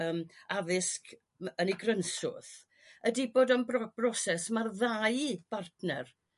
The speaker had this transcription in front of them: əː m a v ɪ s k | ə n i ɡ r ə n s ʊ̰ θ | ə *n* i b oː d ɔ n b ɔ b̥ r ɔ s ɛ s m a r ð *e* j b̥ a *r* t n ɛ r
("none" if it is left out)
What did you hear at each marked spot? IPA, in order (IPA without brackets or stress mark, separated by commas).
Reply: d, a, r